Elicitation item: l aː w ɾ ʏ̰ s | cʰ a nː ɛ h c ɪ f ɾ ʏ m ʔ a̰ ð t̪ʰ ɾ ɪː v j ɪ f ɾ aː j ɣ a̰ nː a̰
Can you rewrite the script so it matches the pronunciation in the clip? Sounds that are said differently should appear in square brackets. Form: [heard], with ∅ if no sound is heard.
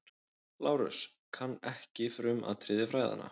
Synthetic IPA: l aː w ɾ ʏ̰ s | [kʰ] a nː ɛ h c ɪ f ɾ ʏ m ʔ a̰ ð t̪ʰ ɾ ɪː [ð] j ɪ f ɾ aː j [ð] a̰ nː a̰